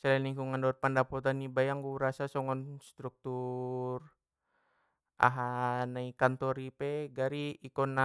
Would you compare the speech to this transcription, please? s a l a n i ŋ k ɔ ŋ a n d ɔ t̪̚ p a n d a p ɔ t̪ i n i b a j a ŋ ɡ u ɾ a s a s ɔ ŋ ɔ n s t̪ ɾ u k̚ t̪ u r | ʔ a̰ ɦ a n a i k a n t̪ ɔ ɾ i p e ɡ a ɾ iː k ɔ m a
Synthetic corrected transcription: s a l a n i ŋ k u ŋ a n d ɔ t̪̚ p a n d a p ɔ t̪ a n i b a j a ŋ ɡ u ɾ a s a s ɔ ŋ ɔ n s t̪ ɾ u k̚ t̪ u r | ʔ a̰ ɦ a n a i k a n t̪ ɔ ɾ i p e ɡ a ɾ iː k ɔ n a